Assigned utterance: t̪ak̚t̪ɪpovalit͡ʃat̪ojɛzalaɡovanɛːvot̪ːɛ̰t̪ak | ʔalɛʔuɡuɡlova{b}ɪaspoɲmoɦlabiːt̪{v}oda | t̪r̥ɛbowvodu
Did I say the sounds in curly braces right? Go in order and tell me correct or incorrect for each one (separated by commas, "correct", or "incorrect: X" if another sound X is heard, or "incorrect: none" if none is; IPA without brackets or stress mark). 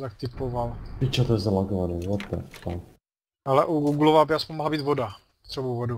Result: correct, correct